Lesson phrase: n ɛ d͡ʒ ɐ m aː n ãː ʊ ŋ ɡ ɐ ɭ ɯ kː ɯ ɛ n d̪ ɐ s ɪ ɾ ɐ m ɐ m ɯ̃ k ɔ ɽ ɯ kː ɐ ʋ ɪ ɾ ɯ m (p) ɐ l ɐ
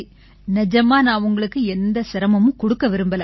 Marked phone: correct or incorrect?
incorrect